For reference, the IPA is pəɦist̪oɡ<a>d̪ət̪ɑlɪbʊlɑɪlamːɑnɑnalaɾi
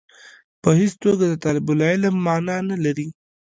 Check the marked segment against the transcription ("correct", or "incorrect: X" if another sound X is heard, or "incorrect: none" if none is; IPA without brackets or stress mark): correct